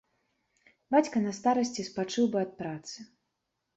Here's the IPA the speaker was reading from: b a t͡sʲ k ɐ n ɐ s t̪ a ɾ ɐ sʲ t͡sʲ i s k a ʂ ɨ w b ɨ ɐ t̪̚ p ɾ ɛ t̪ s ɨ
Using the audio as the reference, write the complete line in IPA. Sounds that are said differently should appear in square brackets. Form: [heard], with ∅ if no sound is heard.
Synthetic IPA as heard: b a t͡sʲ k ɐ n ɐ s t̪ a ɾ ɐ sʲ t͡sʲ i s [p] a [t͡ʂ] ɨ w b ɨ ɐ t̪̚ p ɾ [a] t̪ s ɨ